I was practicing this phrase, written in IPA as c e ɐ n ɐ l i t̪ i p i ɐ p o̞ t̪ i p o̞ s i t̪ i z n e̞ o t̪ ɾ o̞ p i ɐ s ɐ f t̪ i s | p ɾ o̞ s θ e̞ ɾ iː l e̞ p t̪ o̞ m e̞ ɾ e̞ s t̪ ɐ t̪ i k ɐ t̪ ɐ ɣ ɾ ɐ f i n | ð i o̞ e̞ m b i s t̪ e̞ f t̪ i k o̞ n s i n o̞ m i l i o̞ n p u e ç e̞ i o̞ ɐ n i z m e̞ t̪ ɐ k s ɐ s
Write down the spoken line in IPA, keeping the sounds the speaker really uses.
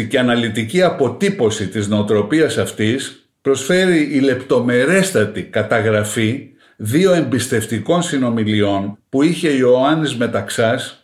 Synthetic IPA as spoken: c e ɐ n ɐ l i t̪ i c i ɐ p o̞ t̪ i p o̞ s i t̪ i z n e̞ o t̪ ɾ o̞ p i ɐ s ɐ f t̪ i s | p ɾ o̞ s f e̞ ɾ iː l e̞ p t̪ o̞ m e̞ ɾ e̞ s t̪ ɐ t̪ i k ɐ t̪ ɐ ɣ ɾ ɐ f i | ð i o̞ e̞ m b i s t̪ e̞ f t̪ i k o̞ n s i n o̞ m i l i o̞ n p u i ç e̞ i o̞ ɐ n i z m e̞ t̪ ɐ k s ɐ s